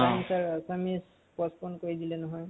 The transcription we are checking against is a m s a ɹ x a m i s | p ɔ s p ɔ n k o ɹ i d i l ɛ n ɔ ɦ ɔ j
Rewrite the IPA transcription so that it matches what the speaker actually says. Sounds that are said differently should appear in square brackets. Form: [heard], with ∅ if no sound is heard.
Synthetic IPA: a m s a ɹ [s] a m i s | p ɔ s p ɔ n k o ɹ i d i l ɛ n ɔ ɦ ɔ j